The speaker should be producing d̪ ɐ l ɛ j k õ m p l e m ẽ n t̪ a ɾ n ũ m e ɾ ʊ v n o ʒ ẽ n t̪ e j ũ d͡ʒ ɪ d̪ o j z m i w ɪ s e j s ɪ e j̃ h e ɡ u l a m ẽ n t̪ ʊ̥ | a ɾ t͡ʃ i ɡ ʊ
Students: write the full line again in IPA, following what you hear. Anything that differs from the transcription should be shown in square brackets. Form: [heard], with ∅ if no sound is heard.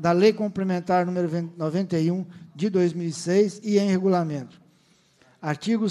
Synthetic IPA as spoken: d̪ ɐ l [e] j k õ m p l e m ẽ n t̪ a ɾ n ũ m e ɾ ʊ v n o [v] ẽ n t̪ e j ũ d͡ʒ ɪ d̪ o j z m i w [i] s e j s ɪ [ẽ] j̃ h e ɡ u l a m ẽ n t̪ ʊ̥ | a ɾ t͡ʃ i ɡ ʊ